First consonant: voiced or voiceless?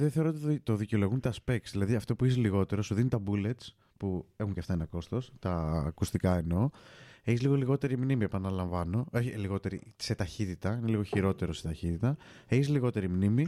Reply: voiced